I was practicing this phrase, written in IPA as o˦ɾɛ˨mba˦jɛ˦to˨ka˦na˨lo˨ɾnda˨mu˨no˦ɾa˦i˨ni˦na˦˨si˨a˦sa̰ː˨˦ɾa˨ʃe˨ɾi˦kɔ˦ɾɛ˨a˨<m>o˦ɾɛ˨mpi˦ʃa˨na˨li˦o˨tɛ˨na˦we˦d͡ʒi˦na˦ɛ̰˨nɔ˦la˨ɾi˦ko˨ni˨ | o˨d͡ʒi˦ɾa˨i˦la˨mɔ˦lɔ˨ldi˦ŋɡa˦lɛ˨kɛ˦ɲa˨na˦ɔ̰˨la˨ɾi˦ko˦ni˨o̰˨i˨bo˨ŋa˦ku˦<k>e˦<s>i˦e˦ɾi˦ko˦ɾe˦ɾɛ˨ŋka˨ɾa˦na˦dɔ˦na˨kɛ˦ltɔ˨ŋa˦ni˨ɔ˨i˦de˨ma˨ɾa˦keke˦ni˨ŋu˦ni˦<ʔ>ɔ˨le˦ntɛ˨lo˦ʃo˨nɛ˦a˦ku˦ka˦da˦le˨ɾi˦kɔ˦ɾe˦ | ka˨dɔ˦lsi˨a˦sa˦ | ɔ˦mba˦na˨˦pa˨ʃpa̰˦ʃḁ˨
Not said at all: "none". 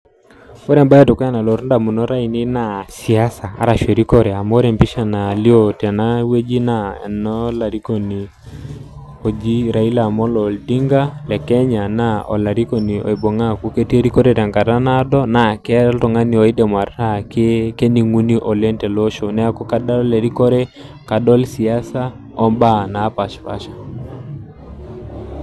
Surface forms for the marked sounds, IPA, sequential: m, k, t, ʔ

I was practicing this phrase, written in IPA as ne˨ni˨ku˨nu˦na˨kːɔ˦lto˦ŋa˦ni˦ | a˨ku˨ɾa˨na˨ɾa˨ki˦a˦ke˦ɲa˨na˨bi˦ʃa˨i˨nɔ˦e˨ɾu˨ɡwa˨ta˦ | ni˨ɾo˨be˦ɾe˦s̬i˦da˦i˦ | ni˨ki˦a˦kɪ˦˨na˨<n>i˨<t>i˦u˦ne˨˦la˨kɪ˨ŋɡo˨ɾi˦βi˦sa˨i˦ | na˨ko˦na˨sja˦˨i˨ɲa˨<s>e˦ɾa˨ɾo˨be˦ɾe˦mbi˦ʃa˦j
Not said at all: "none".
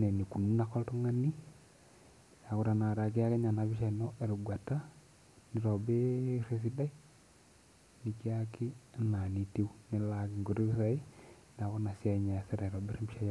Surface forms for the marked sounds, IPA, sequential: n, t, s

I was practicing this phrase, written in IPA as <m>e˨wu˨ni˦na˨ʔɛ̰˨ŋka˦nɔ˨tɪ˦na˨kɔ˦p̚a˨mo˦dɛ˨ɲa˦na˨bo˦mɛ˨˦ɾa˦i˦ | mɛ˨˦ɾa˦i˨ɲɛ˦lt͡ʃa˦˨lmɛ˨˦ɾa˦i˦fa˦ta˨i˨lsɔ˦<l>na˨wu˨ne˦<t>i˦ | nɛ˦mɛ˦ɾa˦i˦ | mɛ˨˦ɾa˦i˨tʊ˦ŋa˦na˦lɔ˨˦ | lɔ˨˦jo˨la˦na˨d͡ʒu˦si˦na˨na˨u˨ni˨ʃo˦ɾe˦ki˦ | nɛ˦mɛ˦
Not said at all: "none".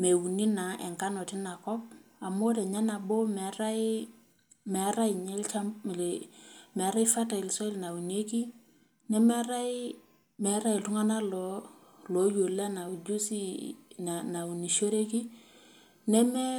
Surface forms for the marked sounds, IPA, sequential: m, l, k

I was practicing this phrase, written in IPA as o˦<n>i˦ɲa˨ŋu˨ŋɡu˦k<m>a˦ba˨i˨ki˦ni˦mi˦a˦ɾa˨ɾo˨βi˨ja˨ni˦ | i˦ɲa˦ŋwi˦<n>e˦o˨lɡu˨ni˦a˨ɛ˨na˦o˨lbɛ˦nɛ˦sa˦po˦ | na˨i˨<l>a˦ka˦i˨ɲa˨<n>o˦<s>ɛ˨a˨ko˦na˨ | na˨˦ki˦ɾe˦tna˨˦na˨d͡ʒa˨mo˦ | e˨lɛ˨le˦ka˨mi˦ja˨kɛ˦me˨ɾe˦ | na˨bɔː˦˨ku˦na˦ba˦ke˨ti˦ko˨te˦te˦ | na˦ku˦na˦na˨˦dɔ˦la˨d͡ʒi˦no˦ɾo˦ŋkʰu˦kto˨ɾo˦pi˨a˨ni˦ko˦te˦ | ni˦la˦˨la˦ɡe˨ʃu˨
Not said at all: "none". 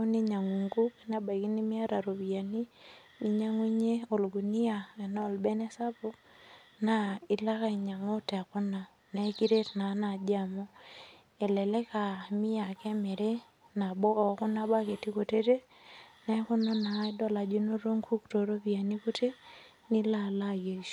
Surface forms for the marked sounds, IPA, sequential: n, n, ɲ, l, ŋ, t

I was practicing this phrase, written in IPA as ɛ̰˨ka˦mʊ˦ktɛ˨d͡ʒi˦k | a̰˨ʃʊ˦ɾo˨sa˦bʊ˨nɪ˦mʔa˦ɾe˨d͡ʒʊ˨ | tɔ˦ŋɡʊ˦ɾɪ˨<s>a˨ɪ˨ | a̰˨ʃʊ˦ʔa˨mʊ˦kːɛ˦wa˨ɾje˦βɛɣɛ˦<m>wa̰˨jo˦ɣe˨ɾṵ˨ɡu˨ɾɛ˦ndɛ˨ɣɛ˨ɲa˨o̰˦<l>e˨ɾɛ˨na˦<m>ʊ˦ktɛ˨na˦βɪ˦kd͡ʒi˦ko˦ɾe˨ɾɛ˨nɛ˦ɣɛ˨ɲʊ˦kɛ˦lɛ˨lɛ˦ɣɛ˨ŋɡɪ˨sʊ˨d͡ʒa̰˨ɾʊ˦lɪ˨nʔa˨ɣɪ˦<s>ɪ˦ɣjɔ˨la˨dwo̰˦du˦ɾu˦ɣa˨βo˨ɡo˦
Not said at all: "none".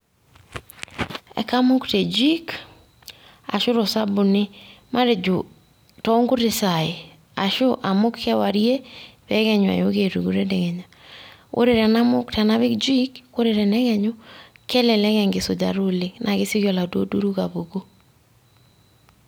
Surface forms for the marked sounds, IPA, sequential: s, ɲ, ɾ, m, s

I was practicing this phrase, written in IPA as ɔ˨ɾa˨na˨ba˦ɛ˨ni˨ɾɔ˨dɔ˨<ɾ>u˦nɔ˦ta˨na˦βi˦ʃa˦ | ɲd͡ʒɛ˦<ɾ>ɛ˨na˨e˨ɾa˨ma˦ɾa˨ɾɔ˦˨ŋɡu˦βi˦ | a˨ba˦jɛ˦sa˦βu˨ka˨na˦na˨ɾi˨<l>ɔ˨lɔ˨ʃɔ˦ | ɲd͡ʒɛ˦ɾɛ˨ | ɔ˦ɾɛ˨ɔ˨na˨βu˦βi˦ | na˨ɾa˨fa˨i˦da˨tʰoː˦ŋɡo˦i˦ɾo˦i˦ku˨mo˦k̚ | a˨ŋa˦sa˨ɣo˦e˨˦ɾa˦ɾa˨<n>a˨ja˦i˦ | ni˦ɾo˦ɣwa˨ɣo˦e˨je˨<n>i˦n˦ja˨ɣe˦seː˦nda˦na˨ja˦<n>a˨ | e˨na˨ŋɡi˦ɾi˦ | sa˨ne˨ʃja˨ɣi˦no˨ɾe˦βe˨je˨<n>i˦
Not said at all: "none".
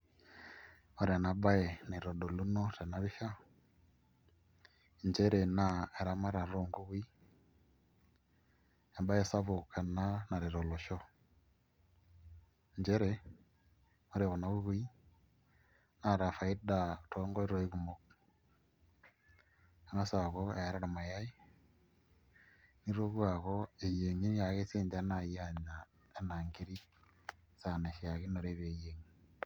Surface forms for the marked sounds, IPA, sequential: l, ɾ, ɾ, m, ŋ, ɲ, ŋ

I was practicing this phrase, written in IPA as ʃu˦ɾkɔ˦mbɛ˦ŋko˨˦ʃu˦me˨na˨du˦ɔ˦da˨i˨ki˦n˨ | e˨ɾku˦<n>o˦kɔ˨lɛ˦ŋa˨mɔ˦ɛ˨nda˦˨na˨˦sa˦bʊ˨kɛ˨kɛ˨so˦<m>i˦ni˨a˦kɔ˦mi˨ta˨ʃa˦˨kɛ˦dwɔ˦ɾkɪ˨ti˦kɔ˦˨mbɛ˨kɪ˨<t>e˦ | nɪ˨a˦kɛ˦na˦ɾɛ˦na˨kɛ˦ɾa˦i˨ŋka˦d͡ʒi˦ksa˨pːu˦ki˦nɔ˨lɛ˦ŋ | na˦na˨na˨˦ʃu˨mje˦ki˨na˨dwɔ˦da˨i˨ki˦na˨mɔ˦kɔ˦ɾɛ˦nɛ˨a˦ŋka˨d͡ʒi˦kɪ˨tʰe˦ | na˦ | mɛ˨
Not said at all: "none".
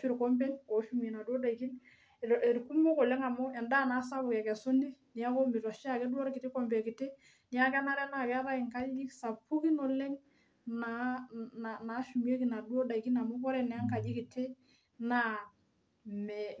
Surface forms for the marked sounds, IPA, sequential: m, n, t

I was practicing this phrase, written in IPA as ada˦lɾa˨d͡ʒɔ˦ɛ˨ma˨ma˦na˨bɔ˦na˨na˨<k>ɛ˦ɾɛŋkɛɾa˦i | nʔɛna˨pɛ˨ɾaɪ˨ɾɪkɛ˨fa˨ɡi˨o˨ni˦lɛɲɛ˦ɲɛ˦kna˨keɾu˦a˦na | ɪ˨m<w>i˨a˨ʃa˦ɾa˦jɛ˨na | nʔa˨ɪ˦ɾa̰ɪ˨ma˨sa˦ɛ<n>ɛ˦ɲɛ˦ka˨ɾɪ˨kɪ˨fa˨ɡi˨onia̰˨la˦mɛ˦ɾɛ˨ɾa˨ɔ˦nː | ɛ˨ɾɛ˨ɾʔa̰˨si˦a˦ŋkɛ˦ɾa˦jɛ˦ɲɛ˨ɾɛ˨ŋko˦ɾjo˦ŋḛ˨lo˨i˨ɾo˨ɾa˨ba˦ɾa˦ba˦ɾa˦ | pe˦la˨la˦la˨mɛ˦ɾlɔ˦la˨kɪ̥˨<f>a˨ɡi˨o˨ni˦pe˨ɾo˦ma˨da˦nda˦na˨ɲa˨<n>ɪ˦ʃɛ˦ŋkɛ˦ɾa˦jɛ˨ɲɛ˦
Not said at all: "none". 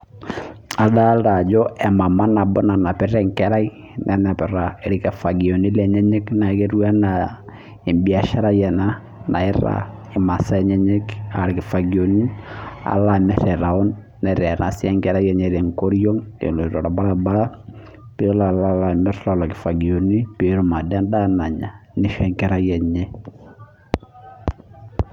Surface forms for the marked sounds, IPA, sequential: p, b, ɲ, f, n

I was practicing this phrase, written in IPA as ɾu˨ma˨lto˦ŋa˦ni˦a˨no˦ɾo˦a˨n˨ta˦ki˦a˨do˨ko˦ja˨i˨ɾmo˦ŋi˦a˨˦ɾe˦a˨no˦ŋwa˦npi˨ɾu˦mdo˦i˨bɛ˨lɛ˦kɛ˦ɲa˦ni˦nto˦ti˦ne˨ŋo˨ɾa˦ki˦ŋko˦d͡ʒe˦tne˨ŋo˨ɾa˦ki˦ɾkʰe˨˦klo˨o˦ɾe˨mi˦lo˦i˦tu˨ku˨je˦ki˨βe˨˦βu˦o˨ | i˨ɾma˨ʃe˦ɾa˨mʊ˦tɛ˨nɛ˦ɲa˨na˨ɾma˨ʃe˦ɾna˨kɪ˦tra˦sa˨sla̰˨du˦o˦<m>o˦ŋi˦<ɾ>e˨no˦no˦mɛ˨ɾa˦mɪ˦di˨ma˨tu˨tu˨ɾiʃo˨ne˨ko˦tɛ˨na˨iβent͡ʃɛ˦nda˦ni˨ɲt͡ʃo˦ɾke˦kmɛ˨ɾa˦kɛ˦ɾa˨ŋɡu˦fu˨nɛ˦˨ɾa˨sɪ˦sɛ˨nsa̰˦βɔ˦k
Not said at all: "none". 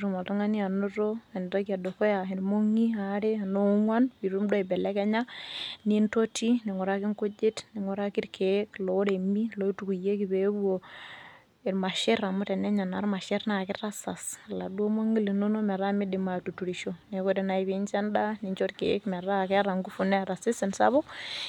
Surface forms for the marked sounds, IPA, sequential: m, l

